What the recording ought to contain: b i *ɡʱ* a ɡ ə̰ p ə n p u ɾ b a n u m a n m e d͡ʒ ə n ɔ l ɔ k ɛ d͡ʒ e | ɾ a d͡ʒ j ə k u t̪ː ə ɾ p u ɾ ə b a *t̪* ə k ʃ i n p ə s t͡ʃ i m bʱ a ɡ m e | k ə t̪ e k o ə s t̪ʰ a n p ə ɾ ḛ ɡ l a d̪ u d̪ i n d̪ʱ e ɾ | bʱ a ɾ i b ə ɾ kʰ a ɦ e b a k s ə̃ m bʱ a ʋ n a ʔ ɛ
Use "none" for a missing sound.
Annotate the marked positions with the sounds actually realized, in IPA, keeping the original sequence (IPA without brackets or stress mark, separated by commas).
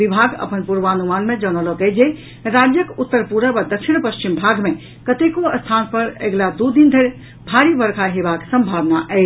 bʱ, d̪